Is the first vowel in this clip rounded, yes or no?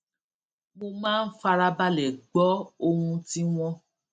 yes